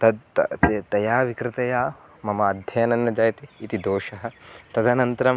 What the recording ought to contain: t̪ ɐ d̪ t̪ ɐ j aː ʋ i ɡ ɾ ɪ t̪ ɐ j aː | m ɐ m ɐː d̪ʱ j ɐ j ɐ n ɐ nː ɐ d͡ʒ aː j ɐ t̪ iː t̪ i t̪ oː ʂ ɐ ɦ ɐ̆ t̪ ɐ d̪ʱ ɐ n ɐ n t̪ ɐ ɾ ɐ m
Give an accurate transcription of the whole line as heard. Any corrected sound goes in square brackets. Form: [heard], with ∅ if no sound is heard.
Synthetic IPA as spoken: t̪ ɐ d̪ t̪ ɐ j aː ʋ i [k] ɾ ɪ t̪ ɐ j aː | m ɐ m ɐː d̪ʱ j ɐ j ɐ n ɐ nː ɐ d͡ʒ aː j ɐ t̪ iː t̪ i [d̪] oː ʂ ɐ ɦ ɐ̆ t̪ ɐ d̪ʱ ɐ n ɐ n t̪ ɐ ɾ ɐ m